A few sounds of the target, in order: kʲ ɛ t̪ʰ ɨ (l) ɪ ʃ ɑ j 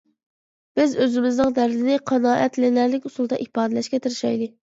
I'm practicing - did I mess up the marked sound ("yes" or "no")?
yes